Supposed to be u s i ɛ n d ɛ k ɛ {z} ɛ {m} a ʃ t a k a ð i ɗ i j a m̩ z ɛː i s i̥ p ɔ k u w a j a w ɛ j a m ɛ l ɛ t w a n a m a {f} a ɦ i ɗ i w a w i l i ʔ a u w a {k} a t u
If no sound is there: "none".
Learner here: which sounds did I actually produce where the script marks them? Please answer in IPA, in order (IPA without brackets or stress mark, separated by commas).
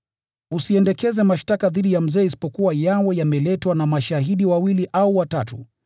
z, m, ʃ, t